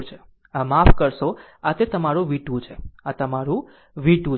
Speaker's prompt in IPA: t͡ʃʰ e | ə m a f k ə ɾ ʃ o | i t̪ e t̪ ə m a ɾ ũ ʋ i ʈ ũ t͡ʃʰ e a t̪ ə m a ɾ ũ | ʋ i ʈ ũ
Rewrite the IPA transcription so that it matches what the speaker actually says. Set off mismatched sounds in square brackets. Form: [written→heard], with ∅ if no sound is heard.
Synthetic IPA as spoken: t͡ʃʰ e | [ə→a] m a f k ə ɾ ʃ o | [i→a] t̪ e t̪ ə m a ɾ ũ ʋ i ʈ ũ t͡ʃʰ e a t̪ ə m a ɾ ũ | ʋ i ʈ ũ